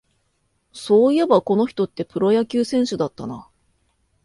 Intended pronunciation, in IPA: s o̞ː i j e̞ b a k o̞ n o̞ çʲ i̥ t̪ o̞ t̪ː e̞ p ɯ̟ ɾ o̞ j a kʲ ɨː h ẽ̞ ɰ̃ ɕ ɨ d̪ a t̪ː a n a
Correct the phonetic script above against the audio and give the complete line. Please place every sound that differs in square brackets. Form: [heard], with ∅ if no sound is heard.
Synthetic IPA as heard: s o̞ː i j e̞ b a k o̞ n o̞ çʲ i̥ t̪ o̞ t̪ː e̞ p ɯ̟ ɾ o̞ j a kʲ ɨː [s] ẽ̞ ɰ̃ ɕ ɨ d̪ a t̪ː a n a